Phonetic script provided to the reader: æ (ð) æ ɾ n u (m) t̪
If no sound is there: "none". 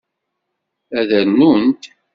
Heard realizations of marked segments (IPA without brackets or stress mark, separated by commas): ð, n